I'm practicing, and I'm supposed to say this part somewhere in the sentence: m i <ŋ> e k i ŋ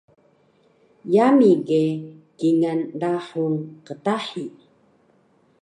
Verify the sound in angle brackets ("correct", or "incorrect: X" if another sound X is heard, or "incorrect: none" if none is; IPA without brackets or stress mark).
incorrect: ɡ